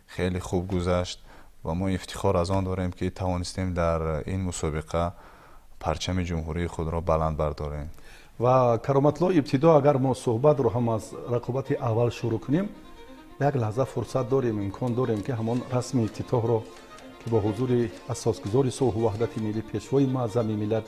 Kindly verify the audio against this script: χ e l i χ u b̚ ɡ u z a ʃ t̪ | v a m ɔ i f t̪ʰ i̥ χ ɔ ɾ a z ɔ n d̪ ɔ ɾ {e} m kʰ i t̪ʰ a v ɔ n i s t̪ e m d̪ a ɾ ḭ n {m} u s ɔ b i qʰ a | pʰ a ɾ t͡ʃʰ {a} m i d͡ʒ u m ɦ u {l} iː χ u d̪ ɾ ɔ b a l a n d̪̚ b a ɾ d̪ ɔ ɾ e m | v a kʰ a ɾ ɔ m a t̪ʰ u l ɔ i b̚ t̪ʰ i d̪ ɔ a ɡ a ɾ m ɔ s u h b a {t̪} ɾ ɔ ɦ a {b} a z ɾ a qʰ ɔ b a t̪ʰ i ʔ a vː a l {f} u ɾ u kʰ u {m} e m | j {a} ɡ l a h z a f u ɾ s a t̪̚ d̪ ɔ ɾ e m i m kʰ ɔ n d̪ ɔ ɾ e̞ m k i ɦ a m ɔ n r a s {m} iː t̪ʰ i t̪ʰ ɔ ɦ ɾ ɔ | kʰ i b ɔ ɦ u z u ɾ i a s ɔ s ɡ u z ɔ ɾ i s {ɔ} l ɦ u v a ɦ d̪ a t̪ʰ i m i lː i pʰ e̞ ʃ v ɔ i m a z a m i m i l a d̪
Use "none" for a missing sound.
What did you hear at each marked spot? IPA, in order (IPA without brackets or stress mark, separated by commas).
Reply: e, m, a, ɾ, t̪, m, ʃ, n, a, m, u